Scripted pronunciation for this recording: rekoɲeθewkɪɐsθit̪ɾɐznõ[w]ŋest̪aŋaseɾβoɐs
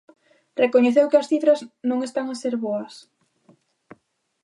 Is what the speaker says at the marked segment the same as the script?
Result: no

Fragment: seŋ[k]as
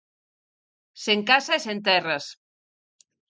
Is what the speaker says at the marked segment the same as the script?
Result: yes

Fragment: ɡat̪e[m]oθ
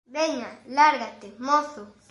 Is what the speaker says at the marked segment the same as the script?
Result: yes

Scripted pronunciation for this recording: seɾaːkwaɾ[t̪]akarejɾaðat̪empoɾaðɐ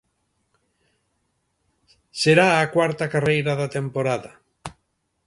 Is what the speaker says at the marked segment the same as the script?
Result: yes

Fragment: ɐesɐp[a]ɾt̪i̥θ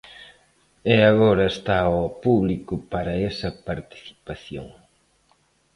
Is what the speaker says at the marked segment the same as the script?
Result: yes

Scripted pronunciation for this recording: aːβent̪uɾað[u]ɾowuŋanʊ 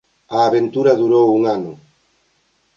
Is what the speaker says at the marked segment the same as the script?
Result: yes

